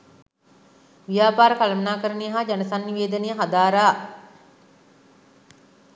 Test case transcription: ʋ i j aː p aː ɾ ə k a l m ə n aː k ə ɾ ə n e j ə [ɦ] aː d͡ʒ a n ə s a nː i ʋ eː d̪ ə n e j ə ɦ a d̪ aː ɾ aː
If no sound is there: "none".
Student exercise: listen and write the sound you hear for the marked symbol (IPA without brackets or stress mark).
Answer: ɦ